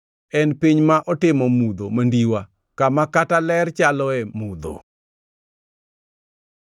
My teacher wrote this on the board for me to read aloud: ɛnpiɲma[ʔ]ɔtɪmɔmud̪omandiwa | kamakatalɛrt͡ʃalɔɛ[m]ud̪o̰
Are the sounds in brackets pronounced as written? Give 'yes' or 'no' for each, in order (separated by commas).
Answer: yes, yes